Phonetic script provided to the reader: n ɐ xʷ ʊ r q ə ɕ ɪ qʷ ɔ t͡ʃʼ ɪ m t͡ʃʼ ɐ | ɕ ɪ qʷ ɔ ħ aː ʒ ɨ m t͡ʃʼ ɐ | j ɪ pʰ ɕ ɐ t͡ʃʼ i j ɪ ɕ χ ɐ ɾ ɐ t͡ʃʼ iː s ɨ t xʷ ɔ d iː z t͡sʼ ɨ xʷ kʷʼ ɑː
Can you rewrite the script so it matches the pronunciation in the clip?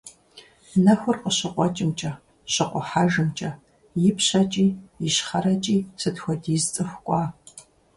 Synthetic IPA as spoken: n ɐ xʷ ʊ r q ə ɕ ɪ qʷ ɔ t͡ʃʼ ɪ m t͡ʃʼ ɐ | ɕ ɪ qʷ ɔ ħ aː ʒ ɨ m t͡ʃʼ ɐ | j ɪ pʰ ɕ ɐ t͡ʃʼ iː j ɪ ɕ χ ɐ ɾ ɐ t͡ʃʼ iː s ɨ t xʷ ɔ d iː z t͡sʼ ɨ xʷ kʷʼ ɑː